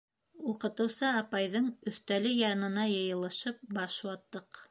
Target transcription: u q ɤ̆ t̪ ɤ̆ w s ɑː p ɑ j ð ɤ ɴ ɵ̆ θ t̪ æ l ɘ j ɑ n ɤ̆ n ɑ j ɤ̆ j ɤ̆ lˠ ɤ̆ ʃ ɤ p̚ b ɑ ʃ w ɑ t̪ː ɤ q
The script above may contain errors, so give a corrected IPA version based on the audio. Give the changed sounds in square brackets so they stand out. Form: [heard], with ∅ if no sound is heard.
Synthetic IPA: u q ɤ̆ t̪ ɤ̆ w s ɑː p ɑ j ð ɤ ɴ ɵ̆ θ t̪ æ l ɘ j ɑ n ɤ̆ n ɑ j ɤ̆ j ɤ̆ lˠ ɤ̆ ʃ ɤ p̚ b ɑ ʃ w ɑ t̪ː ɤ q